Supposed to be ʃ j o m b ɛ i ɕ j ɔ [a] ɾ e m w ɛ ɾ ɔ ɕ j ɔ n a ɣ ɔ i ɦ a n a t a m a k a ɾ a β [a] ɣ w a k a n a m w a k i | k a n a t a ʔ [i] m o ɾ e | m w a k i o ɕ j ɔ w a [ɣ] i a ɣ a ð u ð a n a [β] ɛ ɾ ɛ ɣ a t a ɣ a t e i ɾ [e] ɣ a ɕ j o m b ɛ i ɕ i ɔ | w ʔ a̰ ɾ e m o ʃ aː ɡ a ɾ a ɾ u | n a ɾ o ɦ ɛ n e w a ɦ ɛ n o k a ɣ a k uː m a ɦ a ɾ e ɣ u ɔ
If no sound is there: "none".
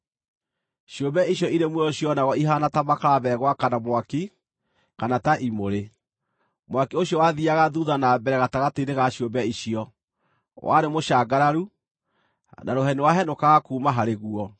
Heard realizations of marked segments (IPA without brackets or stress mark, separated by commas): i, ɛ, i, ð, b, e